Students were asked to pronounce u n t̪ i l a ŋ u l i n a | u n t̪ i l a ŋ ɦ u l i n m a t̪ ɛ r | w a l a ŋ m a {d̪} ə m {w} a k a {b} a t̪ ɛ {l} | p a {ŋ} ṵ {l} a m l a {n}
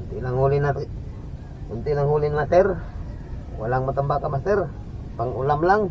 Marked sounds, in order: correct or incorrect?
incorrect: t̪, incorrect: b, incorrect: m, incorrect: r, correct, correct, incorrect: ŋ

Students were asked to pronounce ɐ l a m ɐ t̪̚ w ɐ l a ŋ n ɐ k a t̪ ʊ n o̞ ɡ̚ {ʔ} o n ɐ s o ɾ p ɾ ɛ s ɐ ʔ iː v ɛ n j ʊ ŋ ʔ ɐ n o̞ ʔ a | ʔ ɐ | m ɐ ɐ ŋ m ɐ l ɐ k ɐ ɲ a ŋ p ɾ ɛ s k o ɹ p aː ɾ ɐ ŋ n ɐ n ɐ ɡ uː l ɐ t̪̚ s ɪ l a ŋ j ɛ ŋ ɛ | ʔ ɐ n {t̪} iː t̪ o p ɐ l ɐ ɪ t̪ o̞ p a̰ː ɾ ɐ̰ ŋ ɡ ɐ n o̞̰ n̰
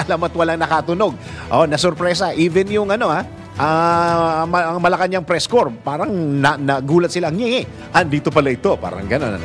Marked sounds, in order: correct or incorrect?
correct, incorrect: d̪

